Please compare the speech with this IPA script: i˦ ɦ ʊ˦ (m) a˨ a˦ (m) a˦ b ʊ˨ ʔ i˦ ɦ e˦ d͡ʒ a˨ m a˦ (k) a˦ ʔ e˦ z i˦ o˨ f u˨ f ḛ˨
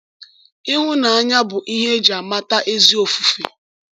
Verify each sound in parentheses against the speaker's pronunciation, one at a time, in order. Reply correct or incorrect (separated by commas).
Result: incorrect, incorrect, incorrect